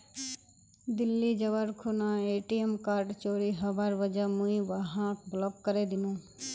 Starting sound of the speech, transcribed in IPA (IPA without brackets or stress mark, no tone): d̪